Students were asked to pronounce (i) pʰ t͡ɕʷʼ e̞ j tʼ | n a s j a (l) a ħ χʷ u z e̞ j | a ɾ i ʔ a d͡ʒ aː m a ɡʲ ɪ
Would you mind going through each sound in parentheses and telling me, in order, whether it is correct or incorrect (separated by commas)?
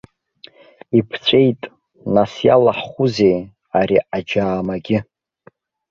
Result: correct, correct